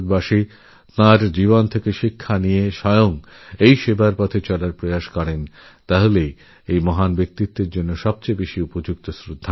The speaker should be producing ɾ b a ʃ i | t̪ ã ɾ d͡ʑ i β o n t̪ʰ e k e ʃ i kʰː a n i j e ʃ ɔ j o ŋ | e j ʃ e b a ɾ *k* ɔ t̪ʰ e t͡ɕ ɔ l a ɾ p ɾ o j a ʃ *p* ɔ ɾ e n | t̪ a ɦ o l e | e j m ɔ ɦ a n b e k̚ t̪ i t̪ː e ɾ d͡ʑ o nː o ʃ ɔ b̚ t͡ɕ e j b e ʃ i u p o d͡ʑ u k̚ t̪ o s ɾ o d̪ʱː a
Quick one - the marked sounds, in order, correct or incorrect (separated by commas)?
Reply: incorrect, incorrect